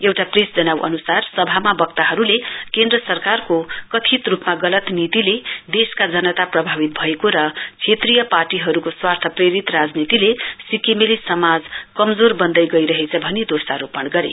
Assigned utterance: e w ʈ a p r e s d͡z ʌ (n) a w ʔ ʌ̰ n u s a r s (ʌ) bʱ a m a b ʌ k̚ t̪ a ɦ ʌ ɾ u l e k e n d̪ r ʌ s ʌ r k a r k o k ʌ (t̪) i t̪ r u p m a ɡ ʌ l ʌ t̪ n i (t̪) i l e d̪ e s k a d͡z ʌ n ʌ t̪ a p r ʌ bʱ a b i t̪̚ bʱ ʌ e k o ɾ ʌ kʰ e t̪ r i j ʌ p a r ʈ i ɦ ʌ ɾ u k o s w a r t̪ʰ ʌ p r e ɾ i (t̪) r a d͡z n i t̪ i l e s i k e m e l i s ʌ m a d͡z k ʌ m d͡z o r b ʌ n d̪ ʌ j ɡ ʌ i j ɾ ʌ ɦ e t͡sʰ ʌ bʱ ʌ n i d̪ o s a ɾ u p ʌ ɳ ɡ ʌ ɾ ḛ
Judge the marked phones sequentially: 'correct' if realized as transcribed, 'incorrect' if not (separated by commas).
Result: correct, correct, incorrect, correct, correct